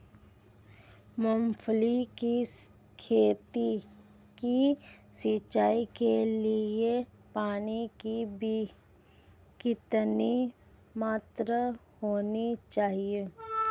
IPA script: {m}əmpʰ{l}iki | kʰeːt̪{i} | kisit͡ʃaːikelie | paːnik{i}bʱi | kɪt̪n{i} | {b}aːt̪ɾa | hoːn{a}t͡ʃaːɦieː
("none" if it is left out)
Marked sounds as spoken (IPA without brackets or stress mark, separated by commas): m, l, i, i, i, m, i